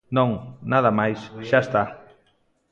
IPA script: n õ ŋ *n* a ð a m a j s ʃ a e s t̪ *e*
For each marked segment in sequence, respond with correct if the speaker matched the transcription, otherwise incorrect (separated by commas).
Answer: correct, incorrect